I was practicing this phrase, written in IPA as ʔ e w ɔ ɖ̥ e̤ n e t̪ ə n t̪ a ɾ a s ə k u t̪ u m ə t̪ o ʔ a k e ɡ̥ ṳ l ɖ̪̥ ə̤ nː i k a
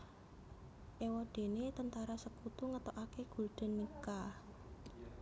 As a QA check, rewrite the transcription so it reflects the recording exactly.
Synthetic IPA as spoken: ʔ e w ɔ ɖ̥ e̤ n e t̪ ə n t̪ a ɾ a s ə k u t̪ u ŋ ə t̪ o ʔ a k e ɡ̥ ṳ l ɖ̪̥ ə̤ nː i k a